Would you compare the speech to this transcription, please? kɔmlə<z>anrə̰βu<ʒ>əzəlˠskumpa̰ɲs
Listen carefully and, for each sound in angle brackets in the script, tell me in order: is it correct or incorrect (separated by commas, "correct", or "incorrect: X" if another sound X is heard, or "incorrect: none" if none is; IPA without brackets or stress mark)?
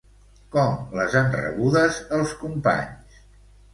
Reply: correct, incorrect: ð